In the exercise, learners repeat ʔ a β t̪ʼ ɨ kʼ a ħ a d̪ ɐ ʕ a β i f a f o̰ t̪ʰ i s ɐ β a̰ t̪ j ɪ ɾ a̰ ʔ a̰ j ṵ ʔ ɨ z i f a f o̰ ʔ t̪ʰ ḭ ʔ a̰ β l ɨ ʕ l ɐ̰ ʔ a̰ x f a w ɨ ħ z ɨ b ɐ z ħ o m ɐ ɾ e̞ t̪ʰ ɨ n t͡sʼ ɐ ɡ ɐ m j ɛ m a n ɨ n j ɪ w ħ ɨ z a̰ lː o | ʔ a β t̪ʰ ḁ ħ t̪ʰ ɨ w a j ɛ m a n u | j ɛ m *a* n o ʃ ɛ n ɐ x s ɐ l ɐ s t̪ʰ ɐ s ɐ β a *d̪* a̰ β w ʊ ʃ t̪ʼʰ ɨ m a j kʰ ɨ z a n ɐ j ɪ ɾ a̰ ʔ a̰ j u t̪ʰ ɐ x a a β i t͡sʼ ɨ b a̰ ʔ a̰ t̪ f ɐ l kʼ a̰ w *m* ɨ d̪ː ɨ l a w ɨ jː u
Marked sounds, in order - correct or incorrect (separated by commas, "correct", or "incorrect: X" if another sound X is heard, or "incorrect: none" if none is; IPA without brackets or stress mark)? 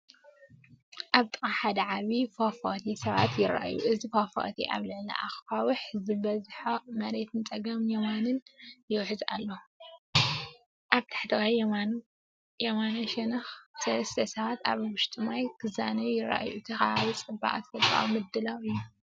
correct, incorrect: t̪, correct